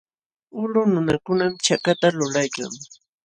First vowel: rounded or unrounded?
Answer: rounded